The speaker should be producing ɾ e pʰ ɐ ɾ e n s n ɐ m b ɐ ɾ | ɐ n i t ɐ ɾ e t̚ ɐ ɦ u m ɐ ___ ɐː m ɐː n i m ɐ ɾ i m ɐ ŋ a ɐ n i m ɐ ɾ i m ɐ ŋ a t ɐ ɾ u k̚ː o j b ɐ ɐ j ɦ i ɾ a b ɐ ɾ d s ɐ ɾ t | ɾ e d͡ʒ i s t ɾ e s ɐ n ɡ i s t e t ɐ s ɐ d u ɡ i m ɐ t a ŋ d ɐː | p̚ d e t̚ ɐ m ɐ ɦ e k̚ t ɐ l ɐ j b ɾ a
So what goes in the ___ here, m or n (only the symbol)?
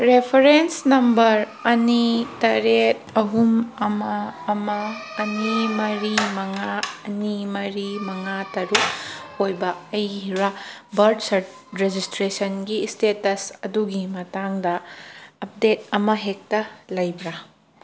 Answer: m